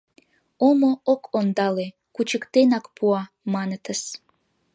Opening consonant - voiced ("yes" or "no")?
yes